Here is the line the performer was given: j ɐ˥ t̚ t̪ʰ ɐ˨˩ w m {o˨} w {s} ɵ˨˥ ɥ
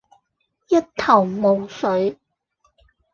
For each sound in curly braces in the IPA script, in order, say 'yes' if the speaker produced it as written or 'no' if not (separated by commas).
yes, yes